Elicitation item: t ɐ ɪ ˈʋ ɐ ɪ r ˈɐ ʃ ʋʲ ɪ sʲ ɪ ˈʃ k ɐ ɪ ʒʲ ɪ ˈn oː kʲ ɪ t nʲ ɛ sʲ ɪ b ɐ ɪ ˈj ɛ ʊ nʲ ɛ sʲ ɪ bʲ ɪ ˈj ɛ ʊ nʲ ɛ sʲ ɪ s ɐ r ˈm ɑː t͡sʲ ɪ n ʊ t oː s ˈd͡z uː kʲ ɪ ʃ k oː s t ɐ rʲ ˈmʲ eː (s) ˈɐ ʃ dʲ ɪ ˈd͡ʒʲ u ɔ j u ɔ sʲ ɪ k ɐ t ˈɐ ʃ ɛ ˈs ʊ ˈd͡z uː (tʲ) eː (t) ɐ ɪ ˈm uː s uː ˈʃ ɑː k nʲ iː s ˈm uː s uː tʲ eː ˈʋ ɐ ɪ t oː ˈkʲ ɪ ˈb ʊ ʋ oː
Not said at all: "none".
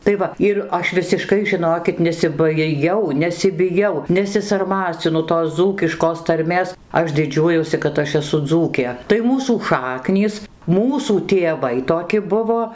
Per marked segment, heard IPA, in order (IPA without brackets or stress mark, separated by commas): s, kʲ, t